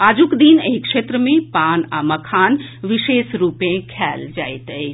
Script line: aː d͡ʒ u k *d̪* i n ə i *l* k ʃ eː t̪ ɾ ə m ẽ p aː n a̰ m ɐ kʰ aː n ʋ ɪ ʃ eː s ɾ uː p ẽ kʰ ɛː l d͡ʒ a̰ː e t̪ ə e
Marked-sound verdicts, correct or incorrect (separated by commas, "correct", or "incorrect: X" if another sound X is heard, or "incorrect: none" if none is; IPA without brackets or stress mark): correct, incorrect: none